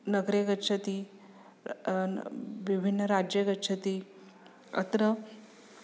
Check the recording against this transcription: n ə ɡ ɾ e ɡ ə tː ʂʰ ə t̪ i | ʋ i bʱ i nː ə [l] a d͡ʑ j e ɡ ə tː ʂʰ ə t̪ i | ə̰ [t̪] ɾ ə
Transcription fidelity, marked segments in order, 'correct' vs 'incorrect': incorrect, correct

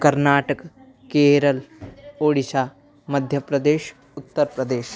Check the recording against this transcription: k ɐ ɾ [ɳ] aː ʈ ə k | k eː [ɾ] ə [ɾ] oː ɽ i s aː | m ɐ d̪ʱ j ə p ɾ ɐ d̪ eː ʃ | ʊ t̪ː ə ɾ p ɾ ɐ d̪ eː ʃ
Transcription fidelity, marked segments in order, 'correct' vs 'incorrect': incorrect, correct, incorrect

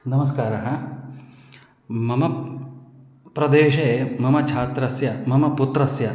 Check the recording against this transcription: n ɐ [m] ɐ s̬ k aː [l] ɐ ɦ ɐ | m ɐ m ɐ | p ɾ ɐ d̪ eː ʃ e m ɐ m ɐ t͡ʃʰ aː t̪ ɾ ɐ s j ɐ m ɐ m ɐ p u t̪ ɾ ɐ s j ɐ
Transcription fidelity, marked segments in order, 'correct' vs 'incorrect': correct, incorrect

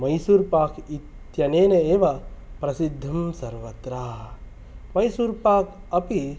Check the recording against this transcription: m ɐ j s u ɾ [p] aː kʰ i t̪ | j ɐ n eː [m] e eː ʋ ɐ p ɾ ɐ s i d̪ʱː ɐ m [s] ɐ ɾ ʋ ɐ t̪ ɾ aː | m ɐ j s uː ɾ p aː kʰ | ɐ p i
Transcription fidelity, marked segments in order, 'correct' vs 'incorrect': correct, incorrect, correct

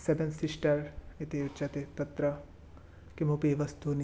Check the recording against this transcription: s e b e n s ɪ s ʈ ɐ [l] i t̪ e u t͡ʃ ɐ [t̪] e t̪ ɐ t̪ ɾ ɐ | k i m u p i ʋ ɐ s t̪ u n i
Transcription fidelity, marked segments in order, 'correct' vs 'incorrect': incorrect, correct

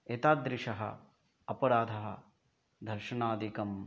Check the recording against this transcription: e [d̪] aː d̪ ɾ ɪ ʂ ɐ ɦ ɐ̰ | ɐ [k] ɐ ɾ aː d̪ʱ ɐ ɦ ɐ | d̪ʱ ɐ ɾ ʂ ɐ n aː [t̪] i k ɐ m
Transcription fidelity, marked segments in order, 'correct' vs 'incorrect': incorrect, incorrect, incorrect

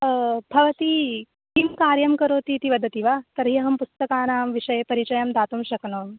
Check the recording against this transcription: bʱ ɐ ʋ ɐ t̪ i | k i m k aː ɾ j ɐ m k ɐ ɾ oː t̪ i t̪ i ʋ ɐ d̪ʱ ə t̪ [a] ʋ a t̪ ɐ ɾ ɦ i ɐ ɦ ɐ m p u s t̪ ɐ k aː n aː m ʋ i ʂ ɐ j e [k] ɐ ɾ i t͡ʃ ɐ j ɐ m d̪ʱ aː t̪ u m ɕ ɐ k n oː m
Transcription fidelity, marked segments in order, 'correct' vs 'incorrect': incorrect, incorrect

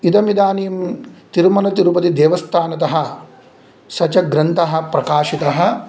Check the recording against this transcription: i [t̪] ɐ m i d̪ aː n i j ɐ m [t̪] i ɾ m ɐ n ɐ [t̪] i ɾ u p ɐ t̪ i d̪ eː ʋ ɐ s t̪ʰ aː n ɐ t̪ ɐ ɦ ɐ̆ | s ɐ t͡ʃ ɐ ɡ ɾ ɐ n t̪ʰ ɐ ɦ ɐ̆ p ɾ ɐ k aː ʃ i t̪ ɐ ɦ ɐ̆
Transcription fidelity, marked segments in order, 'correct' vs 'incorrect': incorrect, correct, correct

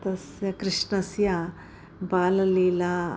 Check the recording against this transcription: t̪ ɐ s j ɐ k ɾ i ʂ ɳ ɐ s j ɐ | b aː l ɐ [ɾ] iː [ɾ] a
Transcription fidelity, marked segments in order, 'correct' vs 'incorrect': incorrect, incorrect

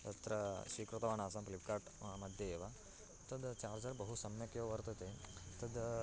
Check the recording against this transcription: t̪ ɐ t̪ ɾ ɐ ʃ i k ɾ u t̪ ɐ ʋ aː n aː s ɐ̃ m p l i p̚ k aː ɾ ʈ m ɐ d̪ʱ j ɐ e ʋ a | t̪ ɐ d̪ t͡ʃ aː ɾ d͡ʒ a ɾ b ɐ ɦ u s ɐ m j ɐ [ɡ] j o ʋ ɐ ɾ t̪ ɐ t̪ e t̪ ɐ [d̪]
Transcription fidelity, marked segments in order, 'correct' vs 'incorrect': incorrect, correct

